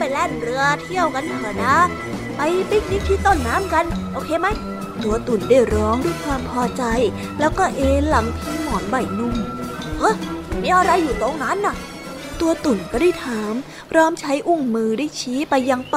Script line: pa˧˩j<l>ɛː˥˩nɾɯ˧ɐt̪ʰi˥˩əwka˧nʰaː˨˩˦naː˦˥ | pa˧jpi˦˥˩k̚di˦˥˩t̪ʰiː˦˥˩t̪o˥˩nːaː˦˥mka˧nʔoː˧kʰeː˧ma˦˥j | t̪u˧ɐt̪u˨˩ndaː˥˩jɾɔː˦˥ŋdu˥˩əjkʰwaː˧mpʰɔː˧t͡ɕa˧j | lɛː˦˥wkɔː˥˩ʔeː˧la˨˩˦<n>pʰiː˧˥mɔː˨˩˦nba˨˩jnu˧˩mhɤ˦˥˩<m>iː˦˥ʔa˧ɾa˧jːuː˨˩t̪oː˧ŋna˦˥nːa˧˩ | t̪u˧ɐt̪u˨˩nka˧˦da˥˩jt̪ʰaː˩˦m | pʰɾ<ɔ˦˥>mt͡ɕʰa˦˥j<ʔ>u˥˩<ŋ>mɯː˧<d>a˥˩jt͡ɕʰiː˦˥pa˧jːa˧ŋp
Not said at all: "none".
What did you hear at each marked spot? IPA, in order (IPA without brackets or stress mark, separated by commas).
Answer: l, ŋ, m, ɔː˦˥, ʔ, ŋ, d